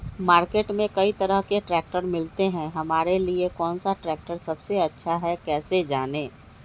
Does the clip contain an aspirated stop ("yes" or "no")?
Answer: no